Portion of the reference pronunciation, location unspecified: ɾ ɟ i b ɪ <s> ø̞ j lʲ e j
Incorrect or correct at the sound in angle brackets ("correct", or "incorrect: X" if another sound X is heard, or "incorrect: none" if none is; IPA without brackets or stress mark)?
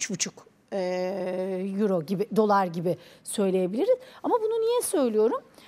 correct